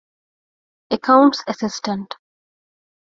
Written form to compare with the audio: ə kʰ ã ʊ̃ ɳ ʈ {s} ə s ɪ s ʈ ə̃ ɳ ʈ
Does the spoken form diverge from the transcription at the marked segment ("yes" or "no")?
no